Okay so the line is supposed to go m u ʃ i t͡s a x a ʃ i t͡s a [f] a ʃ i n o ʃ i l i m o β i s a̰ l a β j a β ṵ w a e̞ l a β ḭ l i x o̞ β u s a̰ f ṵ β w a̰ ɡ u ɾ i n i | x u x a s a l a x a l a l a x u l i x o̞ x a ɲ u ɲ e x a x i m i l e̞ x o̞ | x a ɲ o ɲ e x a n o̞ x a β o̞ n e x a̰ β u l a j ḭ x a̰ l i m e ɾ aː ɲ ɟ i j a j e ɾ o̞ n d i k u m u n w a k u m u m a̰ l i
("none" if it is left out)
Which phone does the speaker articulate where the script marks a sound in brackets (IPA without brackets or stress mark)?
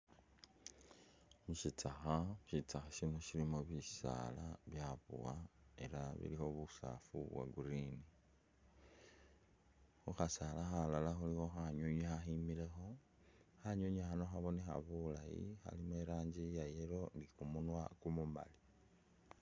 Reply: x